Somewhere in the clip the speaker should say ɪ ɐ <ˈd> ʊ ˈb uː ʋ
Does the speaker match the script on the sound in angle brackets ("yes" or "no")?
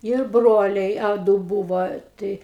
yes